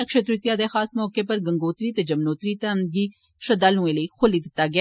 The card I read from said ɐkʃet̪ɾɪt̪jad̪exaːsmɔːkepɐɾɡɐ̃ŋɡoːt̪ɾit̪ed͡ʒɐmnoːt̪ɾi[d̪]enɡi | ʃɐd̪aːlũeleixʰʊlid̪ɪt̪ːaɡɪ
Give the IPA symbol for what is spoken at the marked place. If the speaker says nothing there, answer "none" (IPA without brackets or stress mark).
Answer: t̪